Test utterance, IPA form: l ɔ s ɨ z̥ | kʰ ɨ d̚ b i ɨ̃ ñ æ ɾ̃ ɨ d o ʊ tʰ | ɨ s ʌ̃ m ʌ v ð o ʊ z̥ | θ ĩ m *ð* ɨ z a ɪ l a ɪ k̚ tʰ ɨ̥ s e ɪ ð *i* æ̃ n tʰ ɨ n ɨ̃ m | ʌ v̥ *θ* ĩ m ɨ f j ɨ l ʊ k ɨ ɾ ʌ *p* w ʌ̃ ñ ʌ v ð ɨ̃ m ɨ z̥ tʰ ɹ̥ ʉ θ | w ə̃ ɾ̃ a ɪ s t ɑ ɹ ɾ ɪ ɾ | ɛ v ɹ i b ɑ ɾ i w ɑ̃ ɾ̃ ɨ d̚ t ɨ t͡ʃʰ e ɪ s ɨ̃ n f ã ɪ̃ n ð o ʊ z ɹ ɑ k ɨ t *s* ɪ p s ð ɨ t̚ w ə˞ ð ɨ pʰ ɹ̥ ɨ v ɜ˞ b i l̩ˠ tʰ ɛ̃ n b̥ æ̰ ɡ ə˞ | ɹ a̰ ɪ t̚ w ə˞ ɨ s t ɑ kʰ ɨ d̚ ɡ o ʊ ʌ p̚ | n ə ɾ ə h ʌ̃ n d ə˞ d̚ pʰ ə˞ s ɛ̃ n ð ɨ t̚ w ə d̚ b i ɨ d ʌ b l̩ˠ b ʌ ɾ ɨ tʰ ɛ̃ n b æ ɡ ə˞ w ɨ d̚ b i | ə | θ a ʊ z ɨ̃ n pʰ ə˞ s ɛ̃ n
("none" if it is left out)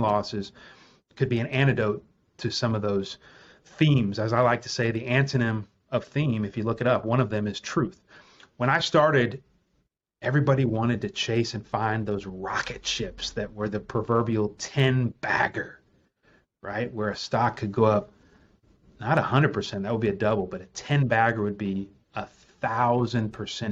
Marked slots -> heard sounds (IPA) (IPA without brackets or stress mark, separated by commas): z, i, θ, p, ʃ